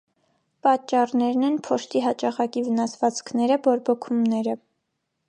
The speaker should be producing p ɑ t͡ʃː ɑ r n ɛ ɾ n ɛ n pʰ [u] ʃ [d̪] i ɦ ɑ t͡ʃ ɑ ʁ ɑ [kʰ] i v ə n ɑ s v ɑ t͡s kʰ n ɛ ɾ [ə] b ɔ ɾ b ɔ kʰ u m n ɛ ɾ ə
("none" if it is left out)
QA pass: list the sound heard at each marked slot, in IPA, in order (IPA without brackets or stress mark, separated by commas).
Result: ɔ, t̪, k, ə